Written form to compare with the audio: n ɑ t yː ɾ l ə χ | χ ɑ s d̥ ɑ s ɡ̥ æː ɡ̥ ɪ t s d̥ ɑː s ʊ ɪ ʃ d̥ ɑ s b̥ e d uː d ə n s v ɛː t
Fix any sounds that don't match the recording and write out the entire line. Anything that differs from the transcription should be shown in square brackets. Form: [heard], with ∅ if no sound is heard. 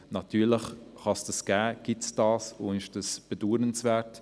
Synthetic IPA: n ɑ t yː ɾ l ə χ | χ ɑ s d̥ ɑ s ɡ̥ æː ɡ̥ ɪ t s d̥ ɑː s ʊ ɪ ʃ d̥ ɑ s b̥ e d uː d ə n s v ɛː t